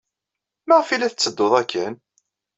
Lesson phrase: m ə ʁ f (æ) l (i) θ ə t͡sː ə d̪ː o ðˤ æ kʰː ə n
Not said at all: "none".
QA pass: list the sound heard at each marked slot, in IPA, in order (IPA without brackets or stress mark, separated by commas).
i, æ